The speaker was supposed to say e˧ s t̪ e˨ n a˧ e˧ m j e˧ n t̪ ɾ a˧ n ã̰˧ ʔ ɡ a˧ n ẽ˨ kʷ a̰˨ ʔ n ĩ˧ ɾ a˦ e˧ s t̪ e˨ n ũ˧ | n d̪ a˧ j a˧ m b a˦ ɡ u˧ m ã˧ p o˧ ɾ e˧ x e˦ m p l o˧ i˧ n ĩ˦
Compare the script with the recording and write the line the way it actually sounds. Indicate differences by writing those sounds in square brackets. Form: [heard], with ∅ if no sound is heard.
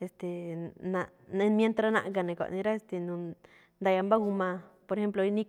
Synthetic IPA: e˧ s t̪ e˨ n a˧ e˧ m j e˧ n t̪ ɾ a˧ n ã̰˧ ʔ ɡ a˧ n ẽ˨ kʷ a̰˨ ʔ n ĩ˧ ɾ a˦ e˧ s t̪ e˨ n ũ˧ | n d̪ a˧ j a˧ m b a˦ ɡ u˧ m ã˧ p o˧ ɾ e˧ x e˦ m p l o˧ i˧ n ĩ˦

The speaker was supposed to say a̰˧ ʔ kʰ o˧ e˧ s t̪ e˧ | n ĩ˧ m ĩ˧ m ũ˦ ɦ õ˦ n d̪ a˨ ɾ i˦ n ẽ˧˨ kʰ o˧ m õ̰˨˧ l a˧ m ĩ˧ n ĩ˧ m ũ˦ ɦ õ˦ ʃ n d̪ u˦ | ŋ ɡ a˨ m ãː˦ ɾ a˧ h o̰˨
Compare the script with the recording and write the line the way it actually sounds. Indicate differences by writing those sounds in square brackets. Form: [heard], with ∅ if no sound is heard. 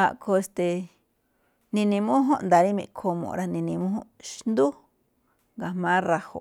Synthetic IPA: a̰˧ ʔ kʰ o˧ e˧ s t̪ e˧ | n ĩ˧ [n] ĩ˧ m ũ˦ ɦ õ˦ n d̪ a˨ ɾ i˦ [m] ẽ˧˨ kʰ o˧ m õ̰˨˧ [ɾ] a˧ [n] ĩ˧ n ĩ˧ m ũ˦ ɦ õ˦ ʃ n d̪ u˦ | ŋ ɡ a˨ m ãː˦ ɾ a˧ h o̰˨

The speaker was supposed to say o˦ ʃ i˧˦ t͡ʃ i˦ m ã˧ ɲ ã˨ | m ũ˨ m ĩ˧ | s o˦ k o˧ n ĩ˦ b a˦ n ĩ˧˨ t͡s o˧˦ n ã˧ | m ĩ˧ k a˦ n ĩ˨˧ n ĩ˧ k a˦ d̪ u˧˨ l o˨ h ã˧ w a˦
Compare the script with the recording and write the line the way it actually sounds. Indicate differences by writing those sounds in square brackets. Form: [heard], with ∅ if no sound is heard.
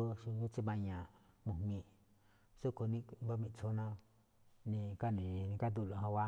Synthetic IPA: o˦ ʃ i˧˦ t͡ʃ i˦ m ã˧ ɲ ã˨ | m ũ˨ m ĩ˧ | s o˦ k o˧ n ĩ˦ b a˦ [m] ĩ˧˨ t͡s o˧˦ n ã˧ | [n] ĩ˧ k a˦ n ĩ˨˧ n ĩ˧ k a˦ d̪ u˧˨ l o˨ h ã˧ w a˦

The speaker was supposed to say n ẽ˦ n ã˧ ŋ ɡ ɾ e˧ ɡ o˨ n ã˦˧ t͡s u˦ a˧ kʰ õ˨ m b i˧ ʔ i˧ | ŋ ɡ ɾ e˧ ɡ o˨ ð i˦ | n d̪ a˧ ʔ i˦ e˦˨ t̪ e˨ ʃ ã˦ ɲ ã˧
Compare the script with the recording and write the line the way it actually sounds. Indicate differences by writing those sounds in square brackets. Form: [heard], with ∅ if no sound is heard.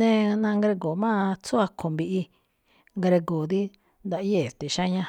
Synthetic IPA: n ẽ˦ n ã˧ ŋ ɡ ɾ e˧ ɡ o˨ [m] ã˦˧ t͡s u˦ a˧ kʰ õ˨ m b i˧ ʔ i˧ | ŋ ɡ ɾ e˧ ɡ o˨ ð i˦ | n d̪ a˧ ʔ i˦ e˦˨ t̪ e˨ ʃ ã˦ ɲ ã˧

